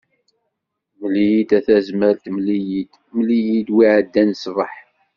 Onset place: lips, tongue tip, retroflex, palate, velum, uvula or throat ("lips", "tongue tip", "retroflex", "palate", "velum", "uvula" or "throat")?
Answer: lips